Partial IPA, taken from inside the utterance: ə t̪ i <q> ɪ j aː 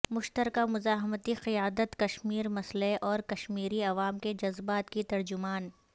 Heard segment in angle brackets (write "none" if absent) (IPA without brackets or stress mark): q